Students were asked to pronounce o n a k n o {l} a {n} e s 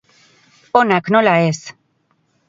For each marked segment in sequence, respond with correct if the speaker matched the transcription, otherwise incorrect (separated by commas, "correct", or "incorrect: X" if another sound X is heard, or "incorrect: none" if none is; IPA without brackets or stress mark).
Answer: correct, incorrect: none